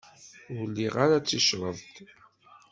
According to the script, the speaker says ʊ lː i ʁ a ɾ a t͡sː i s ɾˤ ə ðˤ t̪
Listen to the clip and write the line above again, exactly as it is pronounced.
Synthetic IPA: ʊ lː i ʁ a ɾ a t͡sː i ʃ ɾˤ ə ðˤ t̪